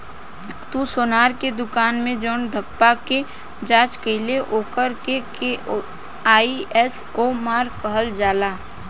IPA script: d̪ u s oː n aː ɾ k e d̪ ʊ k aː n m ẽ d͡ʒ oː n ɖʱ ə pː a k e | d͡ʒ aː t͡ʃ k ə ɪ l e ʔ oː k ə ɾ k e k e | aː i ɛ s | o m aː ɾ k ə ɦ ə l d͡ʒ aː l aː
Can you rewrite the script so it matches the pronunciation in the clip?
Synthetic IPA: t̪ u s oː n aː ɾ k e d̪ ʊ k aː n m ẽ d͡ʒ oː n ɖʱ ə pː a k e | d͡ʒ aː t͡ʃ k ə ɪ l e ʔ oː k ə ɾ k e k e | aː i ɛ s | o m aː ɾ k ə ɦ ə l d͡ʒ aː l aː

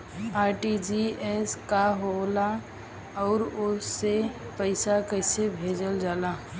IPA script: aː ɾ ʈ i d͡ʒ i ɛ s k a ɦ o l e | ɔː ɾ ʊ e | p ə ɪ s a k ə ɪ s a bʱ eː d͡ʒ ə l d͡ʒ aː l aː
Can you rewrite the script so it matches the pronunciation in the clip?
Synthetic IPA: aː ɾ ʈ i d͡ʒ i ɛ s k a ɦ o l a | ɔː ɾ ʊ e | p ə ɪ s a k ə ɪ s e bʱ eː d͡ʒ ə l d͡ʒ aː l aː

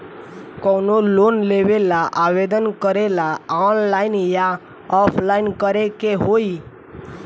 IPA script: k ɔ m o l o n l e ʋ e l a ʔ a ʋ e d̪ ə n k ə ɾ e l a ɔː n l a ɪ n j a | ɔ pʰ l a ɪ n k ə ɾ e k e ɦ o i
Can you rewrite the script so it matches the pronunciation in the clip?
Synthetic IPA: k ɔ n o l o n l e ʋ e l a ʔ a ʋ e d̪ ə n k ə ɾ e l a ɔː n l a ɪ n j a | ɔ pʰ l a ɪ n k ə ɾ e k e ɦ o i

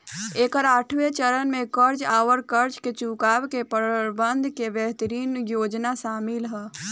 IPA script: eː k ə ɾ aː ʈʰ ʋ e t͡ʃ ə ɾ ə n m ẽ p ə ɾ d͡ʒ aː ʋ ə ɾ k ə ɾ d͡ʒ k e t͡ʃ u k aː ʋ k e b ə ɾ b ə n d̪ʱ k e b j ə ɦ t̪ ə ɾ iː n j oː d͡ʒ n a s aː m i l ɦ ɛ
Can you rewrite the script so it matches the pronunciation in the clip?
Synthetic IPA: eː k ə ɾ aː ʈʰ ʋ e t͡ʃ ə ɾ ə n m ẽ k ə ɾ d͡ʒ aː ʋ ə ɾ k ə ɾ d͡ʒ k e t͡ʃ u k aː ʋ k e p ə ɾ b ə n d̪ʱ k e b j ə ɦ t̪ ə ɾ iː n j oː d͡ʒ n a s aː m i l ɦ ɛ

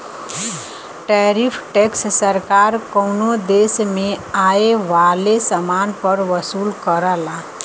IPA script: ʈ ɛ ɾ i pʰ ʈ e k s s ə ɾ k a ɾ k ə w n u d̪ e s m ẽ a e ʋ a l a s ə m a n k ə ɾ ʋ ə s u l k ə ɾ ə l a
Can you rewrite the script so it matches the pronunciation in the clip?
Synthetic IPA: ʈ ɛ ɾ i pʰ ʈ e k s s ə ɾ k a ɾ k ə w n o d̪ e s m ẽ a e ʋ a l e s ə m a n p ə ɾ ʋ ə s u l k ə ɾ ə l a

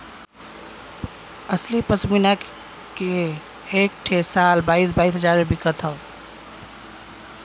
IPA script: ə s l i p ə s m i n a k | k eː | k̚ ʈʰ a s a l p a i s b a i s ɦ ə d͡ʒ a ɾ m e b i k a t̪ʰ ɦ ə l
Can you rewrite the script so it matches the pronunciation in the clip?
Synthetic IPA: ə s l i p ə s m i n a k | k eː | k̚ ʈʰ e s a l b a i s b a i s ɦ ə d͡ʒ a ɾ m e b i k ə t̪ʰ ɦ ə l

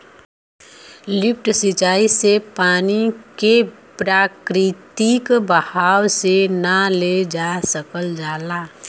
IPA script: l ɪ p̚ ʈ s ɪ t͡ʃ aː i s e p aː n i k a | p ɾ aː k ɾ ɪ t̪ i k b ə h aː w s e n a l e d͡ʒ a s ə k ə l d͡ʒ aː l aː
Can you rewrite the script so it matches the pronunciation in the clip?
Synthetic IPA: l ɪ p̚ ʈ s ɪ t͡ʃ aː i s e p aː n i k e | p ɾ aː k ɾ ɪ t̪ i k b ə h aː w s e n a l e d͡ʒ a s ə k ə l d͡ʒ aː l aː

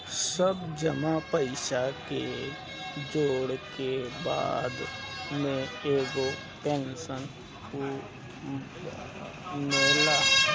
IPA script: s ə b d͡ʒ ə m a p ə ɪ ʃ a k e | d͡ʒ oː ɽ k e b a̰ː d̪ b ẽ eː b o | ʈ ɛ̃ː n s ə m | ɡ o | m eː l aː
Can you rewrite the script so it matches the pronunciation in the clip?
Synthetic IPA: s ə b d͡ʒ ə m a p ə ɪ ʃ a k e | d͡ʒ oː ɽ k e b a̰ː d̪ m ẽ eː ɡ o | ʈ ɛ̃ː n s ə n | k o | m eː l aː

